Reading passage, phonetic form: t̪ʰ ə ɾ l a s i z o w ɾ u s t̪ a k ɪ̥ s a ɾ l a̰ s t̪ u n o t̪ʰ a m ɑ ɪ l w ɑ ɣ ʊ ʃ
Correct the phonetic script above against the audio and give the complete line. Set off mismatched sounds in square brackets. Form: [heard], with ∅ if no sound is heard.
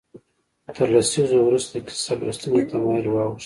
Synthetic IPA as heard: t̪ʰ ə ɾ l a s i z o w ɾ u s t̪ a k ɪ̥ s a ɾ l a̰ s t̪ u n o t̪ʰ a m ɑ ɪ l w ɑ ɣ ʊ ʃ